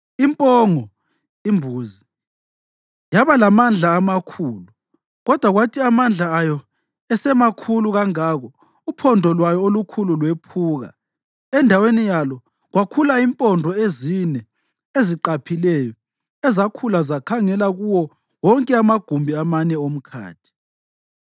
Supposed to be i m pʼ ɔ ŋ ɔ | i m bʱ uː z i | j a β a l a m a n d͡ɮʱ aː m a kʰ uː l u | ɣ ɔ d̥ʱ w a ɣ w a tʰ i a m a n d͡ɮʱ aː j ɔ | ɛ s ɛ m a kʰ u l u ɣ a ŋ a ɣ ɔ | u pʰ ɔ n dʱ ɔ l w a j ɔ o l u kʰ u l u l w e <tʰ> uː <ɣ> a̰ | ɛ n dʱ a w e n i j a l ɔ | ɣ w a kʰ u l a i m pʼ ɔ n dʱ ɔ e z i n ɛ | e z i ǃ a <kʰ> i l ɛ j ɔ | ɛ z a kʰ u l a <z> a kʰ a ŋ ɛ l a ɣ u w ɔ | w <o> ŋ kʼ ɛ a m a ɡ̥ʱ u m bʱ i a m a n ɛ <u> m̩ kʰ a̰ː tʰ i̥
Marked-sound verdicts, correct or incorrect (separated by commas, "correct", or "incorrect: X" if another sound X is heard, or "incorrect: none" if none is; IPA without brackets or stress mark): incorrect: pʰ, correct, incorrect: pʰ, correct, incorrect: ɔ, incorrect: o